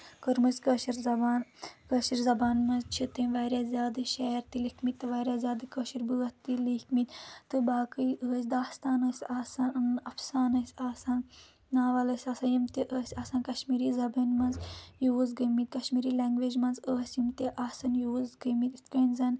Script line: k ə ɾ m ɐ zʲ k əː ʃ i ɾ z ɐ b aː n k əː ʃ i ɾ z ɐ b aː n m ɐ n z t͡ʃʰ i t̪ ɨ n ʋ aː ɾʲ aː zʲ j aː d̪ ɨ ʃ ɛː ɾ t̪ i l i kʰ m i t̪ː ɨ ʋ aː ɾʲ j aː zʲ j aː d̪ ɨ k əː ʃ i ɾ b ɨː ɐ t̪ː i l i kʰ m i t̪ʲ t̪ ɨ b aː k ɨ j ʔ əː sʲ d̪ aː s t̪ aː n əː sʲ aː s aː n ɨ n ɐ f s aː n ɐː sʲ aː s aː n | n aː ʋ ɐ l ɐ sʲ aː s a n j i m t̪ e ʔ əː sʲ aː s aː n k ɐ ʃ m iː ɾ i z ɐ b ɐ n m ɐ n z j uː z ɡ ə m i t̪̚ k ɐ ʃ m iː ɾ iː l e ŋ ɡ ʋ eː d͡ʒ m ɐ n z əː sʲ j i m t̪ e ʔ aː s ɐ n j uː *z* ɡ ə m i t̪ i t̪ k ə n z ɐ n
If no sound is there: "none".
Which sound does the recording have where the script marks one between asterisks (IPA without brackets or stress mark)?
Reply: z